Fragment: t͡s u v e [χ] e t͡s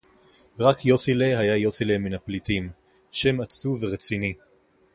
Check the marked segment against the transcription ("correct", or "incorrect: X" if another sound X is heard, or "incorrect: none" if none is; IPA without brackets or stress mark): incorrect: ʁ